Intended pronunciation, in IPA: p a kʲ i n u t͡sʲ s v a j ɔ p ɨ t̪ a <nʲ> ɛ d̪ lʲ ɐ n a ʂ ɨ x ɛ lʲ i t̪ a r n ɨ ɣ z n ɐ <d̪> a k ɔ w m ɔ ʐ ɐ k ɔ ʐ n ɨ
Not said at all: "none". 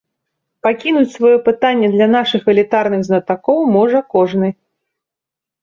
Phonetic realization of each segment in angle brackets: nʲː, t̪

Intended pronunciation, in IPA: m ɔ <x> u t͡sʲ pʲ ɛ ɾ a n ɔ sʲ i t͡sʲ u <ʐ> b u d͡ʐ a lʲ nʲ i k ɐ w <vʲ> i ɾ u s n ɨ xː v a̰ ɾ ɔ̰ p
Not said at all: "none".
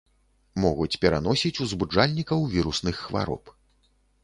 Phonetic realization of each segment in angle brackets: ɣ, z, vʲ

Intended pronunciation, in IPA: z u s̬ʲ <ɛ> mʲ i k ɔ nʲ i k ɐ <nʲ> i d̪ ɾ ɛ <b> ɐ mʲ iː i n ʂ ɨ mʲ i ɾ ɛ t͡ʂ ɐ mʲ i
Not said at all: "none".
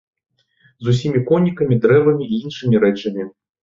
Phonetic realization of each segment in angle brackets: i, mʲ, v

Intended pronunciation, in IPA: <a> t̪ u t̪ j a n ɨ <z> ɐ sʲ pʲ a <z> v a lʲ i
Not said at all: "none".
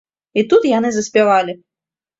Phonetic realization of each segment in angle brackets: i, z, none

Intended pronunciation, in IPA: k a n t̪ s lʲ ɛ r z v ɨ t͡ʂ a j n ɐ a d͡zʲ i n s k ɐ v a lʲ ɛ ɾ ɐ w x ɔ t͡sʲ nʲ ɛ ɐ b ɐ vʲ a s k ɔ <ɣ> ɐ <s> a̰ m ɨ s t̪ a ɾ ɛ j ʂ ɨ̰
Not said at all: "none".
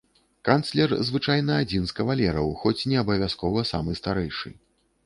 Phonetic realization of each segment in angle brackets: v, s

